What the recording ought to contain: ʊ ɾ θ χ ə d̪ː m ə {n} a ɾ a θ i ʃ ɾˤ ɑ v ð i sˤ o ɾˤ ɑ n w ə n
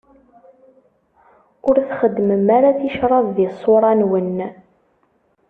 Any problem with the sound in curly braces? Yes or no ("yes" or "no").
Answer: yes